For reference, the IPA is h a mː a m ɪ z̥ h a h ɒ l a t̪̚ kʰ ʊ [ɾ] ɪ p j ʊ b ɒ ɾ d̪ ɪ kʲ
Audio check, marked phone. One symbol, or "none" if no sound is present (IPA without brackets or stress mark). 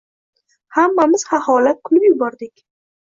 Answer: l